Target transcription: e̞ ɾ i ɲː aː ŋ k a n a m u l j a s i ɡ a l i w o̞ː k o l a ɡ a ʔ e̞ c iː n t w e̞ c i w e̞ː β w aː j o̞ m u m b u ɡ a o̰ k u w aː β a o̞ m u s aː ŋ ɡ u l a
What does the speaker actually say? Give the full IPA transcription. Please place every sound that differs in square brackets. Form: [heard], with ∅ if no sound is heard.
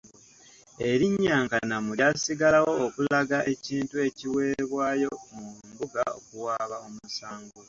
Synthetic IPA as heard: e̞ ɾ i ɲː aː ŋ k a n a m u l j a s i ɡ a l [a] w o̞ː k [u] l a ɡ a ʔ e̞ c iː n t [u] e̞ c i w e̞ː β w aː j o̞ m u m b u ɡ a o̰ k u w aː β a o̞ m u s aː ŋ ɡ u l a

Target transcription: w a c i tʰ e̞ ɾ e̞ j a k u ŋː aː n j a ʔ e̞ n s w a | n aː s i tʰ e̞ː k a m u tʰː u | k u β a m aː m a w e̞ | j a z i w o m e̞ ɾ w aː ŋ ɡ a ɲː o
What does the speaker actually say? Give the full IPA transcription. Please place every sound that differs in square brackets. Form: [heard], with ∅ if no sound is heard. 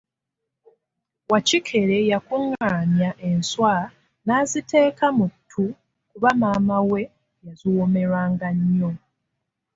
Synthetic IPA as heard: w a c i [kʰ] e̞ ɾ e̞ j a k u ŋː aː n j a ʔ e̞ n s w a | n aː [z] i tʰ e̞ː k a m u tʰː u | k u β a m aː m a w e̞ | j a z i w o m e̞ ɾ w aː ŋ ɡ a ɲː o

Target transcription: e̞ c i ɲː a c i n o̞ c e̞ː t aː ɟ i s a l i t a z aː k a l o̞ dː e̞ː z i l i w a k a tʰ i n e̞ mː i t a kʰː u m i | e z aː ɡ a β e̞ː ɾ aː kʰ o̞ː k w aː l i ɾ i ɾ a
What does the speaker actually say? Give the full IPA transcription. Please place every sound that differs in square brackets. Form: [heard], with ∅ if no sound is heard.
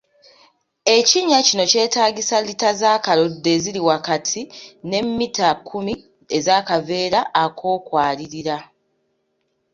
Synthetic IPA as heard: e̞ c i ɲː a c i n o̞ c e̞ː t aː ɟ i s a l i t a z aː k a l o̞ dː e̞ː z i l i w a k a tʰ i n e̞ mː i t a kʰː u m i | e z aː [k] a [v] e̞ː ɾ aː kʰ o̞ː k w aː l i ɾ i ɾ a

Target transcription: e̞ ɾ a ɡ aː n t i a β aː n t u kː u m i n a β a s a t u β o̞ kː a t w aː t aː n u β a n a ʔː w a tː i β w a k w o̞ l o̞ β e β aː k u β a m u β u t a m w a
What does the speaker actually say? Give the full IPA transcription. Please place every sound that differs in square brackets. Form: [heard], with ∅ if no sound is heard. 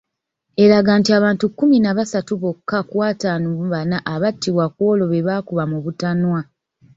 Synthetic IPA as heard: e̞ ɾ a ɡ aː n t i a β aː n t u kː u m i n a β a s a t u β o̞ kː a [k] w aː t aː n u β a n a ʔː [β] a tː i β w a k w o̞ l o̞ β e β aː k u β a m u β u t a [n] w a

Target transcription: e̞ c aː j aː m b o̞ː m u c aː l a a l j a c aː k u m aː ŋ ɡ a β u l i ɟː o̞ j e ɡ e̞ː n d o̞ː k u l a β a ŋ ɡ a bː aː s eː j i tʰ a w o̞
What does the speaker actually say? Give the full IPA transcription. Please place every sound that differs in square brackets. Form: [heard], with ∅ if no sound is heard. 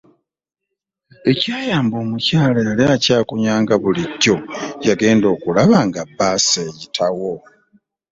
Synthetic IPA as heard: e̞ c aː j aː m b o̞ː m u c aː l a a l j a c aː k u [ɲ] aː ŋ ɡ a β u l i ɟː o̞ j [a] ɡ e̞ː n d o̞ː k u l a β a ŋ ɡ a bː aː s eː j i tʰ a w o̞

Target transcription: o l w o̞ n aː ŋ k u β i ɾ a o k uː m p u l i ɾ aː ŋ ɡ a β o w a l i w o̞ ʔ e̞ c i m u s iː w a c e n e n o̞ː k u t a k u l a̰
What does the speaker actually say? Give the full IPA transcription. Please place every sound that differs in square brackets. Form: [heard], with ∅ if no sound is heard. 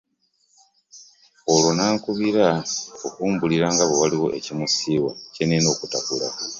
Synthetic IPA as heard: o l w o̞ n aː ŋ k u β i ɾ a o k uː m [b] u l i ɾ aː ŋ ɡ a β o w a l i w o̞ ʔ e̞ c i m u s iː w a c e n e n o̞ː k u t a k u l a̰

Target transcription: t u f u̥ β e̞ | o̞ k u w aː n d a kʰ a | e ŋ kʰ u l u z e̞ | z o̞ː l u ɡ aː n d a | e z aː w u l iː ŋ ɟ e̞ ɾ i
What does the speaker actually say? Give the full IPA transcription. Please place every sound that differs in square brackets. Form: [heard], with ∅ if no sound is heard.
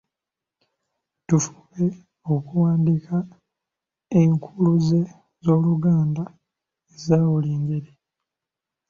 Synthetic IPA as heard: t u f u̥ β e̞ | o̞ k u w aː n d [i] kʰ a | e ŋ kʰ u l u z e̞ | z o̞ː l u ɡ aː n d a | e z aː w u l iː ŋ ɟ e̞ ɾ i

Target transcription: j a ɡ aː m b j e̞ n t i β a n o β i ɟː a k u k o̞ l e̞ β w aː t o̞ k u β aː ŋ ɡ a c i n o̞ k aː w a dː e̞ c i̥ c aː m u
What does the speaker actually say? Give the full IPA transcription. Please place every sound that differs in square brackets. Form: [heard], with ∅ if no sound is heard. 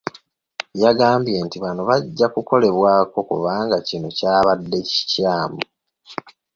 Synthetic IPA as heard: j a ɡ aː m b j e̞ n t i β a n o β [a] ɟː a k u k o̞ l e̞ β w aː [k] o̞ k u β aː ŋ ɡ a c i n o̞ [c] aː [β] a dː e̞ c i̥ c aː m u

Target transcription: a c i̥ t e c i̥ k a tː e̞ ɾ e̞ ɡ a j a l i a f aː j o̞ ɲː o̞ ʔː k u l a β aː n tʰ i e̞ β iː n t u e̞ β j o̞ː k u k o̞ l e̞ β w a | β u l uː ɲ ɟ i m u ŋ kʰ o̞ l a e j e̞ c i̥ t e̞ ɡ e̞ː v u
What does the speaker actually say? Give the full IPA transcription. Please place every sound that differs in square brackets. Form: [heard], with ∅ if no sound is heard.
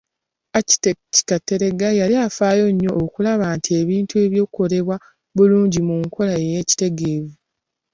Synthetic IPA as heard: a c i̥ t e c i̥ k a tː e̞ ɾ e̞ ɡ a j a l i a f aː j o̞ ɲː o̞ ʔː k u l a β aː n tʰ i e̞ β iː n t u e̞ β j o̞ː k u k o̞ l e̞ β w a | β u l uː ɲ ɟ i m u ŋ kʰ o̞ l a e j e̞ c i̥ t e̞ ɡ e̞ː v u

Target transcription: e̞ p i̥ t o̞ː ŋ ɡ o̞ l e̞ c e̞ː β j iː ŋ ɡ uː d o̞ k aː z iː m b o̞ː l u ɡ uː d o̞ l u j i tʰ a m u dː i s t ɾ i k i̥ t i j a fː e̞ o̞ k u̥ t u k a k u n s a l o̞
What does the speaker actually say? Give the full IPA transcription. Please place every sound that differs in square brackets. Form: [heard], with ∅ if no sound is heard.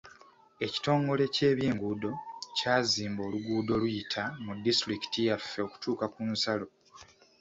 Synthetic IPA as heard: e̞ [c] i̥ t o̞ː ŋ ɡ o̞ l e̞ c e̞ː β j iː ŋ ɡ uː d o̞ [c] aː z iː m b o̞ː l u ɡ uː d o̞ l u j i tʰ a m u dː i s t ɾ i k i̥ t i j a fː e̞ o̞ k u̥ t [uː] k a k u n s a l o̞

